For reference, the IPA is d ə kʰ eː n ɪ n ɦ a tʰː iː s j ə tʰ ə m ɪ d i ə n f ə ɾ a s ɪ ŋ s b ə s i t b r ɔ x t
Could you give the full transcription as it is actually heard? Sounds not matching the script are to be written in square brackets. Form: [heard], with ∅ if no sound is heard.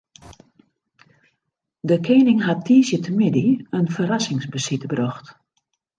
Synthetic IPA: d ə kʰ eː n ɪ [ŋ] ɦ a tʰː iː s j ə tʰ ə m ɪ d i ə n f ə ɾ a s ɪ ŋ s b ə s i t b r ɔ x t